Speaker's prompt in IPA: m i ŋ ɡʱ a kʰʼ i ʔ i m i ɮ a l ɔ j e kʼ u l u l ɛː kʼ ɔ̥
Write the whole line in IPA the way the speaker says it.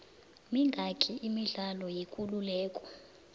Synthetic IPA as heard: m i ŋ ɡʱ a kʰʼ i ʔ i m i ɮ a l ɔ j e kʼ u l u l ɛː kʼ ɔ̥